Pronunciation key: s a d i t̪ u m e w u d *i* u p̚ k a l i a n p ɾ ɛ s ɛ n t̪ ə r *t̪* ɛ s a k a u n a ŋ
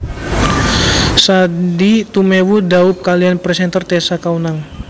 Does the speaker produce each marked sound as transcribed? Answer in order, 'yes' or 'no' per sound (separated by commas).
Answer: no, yes